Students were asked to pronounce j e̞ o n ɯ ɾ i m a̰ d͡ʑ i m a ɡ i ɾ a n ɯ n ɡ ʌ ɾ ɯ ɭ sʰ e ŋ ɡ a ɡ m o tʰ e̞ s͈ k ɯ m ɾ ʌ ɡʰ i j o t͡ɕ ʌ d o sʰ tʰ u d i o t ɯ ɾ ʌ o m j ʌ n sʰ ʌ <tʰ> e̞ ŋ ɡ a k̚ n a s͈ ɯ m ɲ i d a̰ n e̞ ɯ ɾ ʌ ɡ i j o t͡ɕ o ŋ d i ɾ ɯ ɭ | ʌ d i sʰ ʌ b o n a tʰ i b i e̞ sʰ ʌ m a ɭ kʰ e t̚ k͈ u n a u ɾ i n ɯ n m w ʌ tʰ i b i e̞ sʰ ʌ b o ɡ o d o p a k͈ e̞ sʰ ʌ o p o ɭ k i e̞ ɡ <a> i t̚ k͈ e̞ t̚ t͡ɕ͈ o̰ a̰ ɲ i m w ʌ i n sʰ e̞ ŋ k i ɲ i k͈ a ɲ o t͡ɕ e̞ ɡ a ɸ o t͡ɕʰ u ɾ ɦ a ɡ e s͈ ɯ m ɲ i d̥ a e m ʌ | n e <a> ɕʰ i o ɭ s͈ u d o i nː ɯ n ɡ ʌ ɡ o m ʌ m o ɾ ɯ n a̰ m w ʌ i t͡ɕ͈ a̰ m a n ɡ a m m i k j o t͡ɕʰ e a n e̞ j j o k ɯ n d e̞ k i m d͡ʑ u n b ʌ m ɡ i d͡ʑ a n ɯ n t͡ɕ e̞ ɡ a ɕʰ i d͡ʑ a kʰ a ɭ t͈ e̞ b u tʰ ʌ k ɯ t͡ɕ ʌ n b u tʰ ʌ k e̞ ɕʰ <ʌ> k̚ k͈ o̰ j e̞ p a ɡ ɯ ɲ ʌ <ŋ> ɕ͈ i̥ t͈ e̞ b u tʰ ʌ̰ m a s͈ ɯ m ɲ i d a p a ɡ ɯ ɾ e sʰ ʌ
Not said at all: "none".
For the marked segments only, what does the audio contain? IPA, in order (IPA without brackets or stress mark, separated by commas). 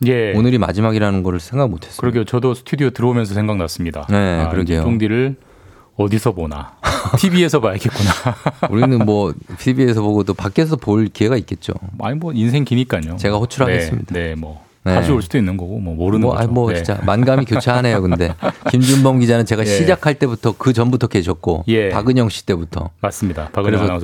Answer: sʰ, a, a, ʌ, ŋ